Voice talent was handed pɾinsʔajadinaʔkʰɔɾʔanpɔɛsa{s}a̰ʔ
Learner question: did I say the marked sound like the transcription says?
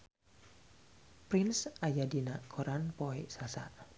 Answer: yes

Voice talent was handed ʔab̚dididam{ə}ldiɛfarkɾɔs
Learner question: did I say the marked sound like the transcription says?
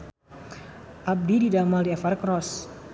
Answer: no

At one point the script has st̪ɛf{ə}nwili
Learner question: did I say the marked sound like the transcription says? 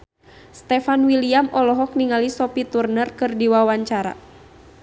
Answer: no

